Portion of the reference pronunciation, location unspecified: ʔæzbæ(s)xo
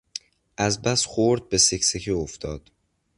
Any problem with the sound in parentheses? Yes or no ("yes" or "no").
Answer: no